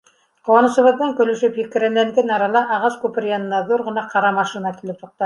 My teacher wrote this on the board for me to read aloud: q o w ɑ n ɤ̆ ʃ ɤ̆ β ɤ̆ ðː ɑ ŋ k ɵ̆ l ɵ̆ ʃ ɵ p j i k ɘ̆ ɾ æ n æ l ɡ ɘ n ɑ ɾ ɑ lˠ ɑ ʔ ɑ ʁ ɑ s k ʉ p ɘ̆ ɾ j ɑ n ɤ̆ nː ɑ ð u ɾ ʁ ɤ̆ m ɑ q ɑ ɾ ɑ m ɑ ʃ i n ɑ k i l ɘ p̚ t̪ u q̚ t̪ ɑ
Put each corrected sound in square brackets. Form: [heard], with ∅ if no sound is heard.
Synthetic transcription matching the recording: q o w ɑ n ɤ̆ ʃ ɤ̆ β ɤ̆ ðː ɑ ŋ k ɵ̆ l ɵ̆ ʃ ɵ p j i k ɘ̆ ɾ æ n æ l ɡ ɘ n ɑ ɾ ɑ lˠ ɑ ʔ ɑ ʁ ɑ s k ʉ p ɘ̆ ɾ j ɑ n ɤ̆ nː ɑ ð u ɾ ʁ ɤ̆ [n] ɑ q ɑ ɾ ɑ m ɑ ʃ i n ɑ k i l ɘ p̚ t̪ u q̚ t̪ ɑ